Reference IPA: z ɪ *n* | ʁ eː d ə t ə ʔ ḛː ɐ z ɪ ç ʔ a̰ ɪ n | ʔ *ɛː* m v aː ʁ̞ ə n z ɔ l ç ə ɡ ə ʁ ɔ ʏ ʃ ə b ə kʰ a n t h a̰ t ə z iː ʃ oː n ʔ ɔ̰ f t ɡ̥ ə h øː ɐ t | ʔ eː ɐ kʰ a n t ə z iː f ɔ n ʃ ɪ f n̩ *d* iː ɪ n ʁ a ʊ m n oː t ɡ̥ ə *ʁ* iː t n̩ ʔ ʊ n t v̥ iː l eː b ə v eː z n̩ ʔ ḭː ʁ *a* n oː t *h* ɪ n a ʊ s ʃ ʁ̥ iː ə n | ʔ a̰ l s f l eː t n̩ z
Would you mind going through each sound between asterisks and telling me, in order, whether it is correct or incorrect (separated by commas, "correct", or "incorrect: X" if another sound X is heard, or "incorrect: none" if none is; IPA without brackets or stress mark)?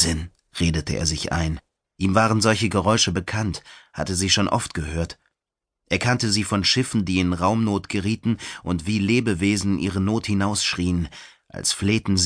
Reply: correct, incorrect: iː, correct, correct, incorrect: ə, correct